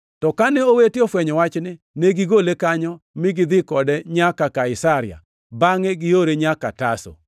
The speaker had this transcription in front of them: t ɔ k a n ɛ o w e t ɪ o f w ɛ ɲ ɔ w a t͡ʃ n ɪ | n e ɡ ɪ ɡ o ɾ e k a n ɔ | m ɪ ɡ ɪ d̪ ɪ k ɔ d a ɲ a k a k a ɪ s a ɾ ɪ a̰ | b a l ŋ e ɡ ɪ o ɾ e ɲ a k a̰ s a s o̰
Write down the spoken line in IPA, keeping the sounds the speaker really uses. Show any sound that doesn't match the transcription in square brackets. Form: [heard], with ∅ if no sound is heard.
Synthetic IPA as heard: t ɔ k a n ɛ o w e t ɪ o f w ɛ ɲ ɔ w a t͡ʃ n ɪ | n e ɡ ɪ ɡ o [l] e k a [ɲ] ɔ | m ɪ ɡ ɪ d̪ ɪ k ɔ d [ɛ] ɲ a k a k a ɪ s a ɾ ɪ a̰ | b a [∅] ŋ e ɡ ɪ o ɾ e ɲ a k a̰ [t] a s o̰